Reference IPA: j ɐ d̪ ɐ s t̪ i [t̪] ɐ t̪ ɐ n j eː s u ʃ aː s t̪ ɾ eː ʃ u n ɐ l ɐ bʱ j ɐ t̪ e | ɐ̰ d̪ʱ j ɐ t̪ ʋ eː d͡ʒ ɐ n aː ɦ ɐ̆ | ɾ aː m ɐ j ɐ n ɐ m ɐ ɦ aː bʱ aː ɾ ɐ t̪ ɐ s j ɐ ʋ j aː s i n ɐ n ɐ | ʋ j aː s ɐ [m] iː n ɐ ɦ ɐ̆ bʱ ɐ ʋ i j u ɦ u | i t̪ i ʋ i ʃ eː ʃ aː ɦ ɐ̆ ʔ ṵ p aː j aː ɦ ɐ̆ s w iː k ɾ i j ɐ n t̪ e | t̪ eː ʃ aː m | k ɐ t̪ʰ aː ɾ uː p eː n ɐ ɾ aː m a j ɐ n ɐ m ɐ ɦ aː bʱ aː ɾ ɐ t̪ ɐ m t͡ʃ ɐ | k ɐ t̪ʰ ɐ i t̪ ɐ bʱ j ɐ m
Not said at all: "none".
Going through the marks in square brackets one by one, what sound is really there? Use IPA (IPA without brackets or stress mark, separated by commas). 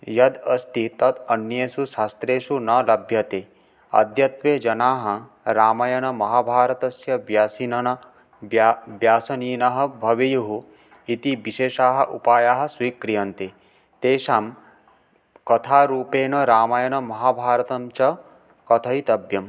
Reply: t̪, n